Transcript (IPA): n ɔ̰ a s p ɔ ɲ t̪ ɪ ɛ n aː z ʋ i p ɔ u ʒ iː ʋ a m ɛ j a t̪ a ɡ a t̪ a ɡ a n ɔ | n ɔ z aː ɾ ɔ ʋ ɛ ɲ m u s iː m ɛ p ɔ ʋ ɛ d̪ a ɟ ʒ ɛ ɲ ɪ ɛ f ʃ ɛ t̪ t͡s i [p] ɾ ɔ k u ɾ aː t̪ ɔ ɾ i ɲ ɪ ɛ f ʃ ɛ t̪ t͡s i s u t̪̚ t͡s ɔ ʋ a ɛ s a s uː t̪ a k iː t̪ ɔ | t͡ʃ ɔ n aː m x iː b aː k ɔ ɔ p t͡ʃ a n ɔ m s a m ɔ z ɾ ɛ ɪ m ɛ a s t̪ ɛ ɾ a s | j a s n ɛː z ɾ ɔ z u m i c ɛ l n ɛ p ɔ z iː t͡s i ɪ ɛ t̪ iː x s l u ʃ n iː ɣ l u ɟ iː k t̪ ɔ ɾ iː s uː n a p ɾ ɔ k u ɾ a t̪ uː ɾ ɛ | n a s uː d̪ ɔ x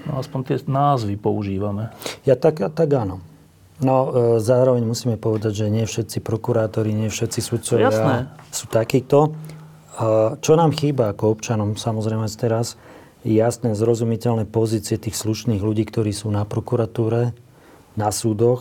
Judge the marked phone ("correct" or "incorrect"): correct